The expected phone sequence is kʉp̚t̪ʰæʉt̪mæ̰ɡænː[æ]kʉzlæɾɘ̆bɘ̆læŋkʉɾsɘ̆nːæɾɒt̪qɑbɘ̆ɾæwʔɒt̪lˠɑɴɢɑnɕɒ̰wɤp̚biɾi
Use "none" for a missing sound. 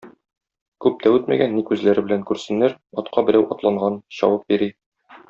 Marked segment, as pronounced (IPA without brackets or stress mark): i